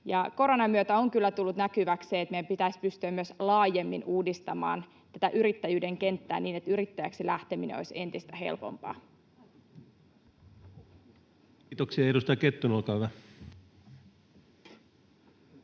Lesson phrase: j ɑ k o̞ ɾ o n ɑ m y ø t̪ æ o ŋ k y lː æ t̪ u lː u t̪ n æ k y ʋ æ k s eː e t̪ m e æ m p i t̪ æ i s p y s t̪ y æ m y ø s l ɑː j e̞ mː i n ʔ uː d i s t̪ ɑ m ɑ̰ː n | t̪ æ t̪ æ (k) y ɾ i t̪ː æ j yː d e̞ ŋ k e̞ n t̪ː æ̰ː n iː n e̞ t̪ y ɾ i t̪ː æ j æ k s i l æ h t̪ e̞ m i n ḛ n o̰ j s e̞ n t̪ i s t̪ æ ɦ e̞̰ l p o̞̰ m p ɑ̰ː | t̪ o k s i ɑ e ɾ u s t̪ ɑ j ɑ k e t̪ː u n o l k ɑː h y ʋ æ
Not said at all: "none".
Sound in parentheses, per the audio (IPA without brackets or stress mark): ʔ